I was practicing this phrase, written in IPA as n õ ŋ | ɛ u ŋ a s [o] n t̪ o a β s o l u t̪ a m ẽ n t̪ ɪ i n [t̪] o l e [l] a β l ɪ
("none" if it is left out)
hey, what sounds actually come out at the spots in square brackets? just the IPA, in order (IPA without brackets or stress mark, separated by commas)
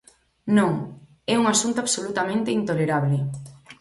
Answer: u, t̪, ɾ